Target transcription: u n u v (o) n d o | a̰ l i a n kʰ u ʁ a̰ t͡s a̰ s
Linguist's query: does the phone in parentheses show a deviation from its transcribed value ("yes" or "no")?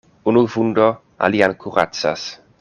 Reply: yes